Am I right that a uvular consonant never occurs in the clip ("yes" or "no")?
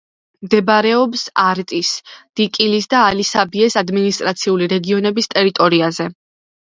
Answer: yes